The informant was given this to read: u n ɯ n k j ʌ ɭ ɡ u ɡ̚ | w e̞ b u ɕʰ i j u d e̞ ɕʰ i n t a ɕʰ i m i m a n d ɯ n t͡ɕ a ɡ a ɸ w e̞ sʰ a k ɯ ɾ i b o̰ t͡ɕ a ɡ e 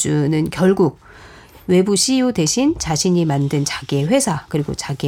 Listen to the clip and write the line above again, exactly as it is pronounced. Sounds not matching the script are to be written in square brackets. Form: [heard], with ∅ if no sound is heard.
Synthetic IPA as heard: u n ɯ n k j ʌ ɭ ɡ u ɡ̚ | w e̞ b u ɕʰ i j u d e̞ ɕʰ i n [t͡ɕ] a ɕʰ i [ɲ] i m a n d ɯ n t͡ɕ a ɡ [e] ɸ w e̞ sʰ a k ɯ ɾ i [ɡ] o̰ t͡ɕ a ɡ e